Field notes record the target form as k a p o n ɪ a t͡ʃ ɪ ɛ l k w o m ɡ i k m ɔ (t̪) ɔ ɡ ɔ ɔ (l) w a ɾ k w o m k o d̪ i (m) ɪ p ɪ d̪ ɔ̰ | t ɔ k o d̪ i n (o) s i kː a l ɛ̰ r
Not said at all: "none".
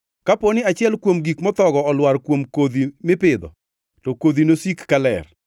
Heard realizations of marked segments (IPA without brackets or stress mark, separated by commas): t̪, l, m, o